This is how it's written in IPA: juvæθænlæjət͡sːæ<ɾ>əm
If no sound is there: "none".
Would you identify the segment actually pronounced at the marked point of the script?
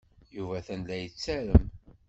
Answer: ɾ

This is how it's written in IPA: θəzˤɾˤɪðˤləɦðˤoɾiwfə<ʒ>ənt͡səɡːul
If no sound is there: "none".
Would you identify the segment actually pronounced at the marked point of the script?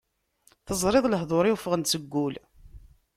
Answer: ʁ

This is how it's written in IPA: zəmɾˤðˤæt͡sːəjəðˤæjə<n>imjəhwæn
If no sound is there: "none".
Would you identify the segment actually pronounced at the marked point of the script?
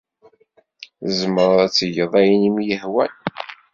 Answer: n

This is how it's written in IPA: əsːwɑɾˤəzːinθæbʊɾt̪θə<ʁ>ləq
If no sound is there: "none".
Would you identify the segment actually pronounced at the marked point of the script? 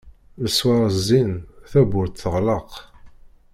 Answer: ʁ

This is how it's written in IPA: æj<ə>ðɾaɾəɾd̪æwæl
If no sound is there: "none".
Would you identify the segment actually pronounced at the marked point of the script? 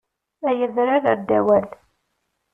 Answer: ə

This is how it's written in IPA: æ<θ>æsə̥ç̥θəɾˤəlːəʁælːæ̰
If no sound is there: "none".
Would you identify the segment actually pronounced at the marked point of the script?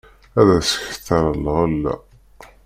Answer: ð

